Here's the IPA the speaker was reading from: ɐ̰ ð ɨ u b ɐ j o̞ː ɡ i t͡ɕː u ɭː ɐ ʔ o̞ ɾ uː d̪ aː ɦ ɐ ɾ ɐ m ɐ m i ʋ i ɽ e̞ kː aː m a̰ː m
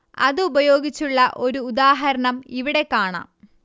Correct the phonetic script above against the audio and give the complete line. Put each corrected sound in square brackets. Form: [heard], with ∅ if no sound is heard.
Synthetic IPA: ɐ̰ ð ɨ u b ɐ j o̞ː ɡ i t͡ɕː u ɭː ɐ ʔ o̞ ɾ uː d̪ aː ɦ ɐ ɾ ɐ [ɳ] ɐ m i ʋ i ɽ e̞ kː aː [ɳ] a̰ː m